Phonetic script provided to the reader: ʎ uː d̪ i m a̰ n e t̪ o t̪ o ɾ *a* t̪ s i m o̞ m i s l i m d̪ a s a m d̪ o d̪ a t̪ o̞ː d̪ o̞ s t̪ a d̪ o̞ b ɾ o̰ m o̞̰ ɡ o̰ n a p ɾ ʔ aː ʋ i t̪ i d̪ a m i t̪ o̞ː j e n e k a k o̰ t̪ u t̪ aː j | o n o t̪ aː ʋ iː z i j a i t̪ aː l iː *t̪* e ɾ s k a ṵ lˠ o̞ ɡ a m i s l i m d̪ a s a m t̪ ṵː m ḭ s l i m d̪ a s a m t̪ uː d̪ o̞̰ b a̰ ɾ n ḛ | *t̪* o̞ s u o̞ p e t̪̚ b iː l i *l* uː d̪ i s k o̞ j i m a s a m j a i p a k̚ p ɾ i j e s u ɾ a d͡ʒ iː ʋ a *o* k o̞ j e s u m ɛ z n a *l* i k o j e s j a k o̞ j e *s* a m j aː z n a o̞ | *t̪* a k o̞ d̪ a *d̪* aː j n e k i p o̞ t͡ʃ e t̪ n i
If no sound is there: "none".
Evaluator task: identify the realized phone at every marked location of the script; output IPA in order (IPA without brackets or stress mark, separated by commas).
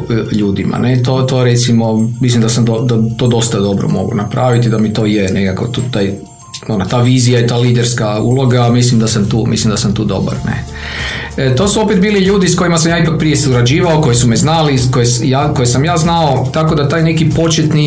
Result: e, d̪, t̪, ʎ, o, l, s, t̪, t̪